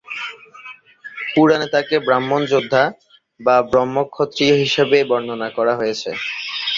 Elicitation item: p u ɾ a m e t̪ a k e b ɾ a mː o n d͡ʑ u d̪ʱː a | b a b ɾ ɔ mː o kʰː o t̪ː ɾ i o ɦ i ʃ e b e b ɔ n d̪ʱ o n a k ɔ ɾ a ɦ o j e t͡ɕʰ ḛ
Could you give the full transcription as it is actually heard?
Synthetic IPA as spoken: p u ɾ a n e t̪ a k e b ɾ a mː o n d͡ʑ o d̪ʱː a | b a b ɾ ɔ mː o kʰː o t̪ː ɾ i o ɦ i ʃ e b e b ɔ n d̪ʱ o n a k ɔ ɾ a ɦ o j e t͡ɕʰ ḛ